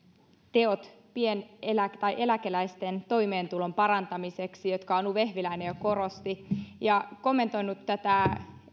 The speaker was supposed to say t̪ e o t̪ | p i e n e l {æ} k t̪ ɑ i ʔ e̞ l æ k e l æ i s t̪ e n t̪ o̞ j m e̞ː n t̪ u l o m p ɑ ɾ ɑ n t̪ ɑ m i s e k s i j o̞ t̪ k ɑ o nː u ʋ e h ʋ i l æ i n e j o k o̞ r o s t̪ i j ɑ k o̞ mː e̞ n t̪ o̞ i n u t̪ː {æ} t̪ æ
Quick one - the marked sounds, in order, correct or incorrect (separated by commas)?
correct, correct